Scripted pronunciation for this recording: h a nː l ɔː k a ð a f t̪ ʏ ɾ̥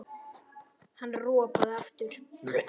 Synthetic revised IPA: h a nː r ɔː p a ð a f t̪ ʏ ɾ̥